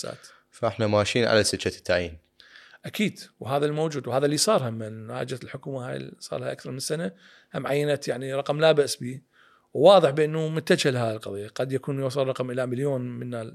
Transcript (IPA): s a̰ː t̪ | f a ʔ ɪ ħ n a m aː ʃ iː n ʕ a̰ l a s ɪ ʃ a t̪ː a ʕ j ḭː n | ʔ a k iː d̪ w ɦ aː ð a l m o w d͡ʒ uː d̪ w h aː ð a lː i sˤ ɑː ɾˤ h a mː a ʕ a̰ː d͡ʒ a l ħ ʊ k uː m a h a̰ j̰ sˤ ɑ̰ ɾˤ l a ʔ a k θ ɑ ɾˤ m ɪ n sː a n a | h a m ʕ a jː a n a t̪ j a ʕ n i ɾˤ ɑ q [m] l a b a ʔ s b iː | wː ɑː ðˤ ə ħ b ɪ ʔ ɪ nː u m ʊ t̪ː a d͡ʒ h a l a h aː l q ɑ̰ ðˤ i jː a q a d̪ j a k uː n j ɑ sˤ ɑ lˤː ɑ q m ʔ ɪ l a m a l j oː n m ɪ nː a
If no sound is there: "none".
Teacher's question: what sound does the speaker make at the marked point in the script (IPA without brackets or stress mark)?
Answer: m